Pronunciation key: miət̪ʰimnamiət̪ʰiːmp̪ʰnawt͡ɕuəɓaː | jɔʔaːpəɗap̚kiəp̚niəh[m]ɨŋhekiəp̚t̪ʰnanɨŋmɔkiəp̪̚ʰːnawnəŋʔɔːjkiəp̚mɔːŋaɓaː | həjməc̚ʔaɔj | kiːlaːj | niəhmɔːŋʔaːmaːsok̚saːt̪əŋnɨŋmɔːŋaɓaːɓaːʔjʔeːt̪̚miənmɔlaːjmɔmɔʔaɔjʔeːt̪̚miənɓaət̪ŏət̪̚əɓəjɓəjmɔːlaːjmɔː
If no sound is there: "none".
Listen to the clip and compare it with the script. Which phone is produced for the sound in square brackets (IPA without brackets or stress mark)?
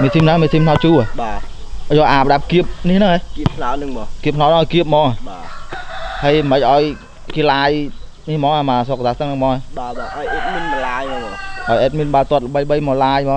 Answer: n